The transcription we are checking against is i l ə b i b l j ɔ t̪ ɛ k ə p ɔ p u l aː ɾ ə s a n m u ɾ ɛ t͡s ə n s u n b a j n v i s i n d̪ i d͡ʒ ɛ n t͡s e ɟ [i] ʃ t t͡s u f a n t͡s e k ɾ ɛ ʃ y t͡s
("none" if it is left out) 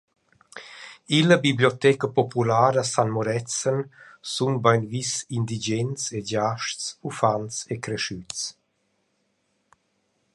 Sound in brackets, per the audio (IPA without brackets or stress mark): a